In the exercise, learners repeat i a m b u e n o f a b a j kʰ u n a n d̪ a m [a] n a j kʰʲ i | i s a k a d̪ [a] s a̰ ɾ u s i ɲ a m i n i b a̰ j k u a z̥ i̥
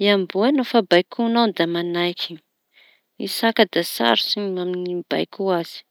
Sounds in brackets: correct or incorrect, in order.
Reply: correct, correct

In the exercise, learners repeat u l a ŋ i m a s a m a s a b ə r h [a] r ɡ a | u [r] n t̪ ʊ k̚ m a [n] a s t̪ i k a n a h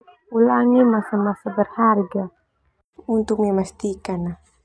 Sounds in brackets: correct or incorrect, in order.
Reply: correct, incorrect, incorrect

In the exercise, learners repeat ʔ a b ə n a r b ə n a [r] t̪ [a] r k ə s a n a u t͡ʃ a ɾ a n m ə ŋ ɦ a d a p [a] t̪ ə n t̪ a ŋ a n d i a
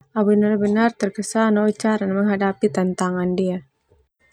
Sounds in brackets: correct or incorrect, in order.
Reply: correct, incorrect, incorrect

